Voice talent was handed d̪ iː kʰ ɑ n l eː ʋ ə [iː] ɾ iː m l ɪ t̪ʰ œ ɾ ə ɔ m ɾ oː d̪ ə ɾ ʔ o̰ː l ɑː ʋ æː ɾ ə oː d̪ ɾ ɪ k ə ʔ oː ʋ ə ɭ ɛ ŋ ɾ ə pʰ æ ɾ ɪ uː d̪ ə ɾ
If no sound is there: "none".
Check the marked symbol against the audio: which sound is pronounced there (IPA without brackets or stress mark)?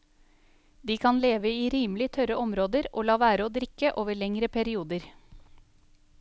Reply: iː